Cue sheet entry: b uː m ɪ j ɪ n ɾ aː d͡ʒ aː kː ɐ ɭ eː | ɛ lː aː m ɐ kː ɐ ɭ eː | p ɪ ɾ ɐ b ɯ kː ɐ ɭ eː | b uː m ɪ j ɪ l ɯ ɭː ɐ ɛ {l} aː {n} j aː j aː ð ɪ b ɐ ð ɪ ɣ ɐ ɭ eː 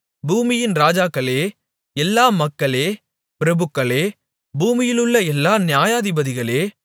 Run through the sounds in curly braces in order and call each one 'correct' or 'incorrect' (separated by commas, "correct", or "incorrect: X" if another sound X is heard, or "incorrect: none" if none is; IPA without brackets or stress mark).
incorrect: lː, correct